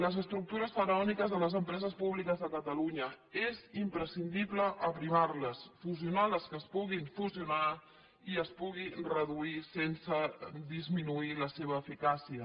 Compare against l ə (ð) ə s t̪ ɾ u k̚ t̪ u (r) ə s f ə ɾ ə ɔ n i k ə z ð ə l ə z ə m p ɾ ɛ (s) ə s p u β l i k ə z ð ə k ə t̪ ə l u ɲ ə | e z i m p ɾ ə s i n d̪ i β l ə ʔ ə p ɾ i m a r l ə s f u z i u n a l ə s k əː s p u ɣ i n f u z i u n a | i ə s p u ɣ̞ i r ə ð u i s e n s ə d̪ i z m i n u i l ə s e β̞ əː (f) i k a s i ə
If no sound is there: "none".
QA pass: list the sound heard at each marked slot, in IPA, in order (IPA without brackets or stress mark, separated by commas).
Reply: z, ɾ, z, f